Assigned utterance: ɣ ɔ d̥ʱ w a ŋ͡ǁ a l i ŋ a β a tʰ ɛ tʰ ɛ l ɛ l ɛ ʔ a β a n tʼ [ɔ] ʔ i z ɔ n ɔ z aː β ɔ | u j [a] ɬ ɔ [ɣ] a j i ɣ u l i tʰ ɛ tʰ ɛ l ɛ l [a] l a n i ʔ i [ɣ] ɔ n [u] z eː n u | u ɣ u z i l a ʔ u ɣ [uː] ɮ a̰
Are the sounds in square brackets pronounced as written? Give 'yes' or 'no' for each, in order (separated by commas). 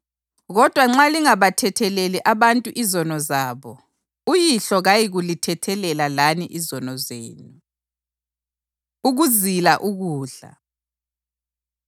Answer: no, no, yes, yes, no, no, yes